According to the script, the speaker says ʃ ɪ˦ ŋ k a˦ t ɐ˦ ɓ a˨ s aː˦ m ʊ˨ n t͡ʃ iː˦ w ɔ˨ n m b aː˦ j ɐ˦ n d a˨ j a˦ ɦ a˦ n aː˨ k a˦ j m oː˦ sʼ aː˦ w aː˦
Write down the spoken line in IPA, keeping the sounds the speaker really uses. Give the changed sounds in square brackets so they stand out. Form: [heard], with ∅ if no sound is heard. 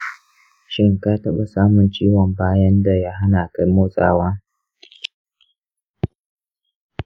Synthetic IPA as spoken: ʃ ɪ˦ ŋ k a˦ t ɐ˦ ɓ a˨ s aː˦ m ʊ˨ n t͡ʃ iː˦ w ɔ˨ [∅] m b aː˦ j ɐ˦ n d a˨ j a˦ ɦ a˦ n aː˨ k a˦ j m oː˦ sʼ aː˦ w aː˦